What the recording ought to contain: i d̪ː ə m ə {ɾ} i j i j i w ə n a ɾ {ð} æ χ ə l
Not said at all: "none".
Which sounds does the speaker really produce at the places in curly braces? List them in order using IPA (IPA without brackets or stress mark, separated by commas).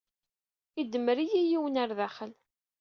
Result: ɾ, ð